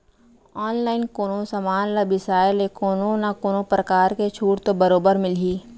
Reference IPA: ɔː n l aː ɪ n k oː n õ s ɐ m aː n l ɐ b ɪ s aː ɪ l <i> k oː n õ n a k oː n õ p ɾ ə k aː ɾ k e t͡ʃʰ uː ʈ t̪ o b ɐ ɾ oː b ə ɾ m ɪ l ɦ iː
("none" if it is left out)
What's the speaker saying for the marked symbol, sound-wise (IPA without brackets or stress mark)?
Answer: e